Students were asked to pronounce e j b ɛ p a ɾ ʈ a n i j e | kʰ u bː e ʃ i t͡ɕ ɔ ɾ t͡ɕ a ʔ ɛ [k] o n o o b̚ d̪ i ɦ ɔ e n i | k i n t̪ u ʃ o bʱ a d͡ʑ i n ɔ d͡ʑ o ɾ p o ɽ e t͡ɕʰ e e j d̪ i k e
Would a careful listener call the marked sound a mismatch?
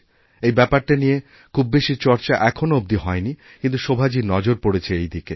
yes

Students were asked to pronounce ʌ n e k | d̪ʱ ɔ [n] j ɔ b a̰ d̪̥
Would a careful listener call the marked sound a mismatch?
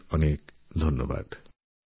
no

